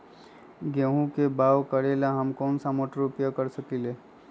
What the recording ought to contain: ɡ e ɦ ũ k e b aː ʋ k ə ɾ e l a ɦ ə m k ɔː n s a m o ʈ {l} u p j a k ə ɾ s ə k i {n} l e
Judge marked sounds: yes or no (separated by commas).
no, no